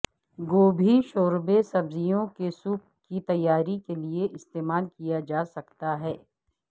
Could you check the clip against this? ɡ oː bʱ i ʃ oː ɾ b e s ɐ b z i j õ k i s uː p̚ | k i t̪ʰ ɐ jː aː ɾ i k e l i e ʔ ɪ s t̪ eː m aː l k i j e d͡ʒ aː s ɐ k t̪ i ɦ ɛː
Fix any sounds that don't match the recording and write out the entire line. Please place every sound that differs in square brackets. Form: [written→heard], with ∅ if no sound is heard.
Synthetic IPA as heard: ɡ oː bʱ i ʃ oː ɾ b e s ɐ b z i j õ k [i→e] s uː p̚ | k i [t̪ʰ→t̪] ɐ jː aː ɾ i k e l i e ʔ ɪ s t̪ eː m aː l k i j [e→a] d͡ʒ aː s ɐ k t̪ [i→a] ɦ ɛː